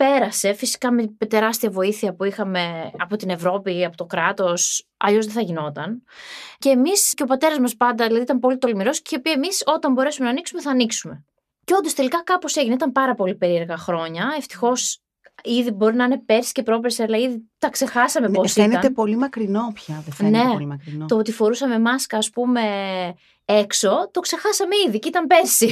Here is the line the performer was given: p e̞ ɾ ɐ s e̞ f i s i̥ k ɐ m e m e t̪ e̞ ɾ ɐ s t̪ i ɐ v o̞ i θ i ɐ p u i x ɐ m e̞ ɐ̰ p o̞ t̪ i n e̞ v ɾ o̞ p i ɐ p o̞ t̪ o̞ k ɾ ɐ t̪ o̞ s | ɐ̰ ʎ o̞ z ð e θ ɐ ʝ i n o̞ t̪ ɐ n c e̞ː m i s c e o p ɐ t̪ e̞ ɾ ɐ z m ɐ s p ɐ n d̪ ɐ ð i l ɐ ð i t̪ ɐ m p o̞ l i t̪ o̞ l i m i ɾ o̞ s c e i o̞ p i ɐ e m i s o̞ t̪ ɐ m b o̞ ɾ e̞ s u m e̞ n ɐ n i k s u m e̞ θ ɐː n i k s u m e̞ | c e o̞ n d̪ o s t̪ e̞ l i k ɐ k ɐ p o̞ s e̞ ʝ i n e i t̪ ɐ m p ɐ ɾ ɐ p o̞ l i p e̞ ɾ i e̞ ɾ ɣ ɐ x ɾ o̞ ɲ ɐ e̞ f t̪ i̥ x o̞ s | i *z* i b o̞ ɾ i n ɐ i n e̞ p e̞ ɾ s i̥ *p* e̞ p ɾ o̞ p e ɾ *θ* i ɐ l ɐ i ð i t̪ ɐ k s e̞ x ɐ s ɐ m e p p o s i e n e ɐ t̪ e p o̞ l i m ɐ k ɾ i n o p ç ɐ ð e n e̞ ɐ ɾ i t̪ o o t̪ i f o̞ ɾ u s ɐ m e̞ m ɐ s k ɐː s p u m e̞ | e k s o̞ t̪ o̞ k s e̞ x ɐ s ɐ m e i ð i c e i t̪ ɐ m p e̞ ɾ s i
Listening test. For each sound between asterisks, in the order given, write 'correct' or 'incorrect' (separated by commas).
incorrect, incorrect, incorrect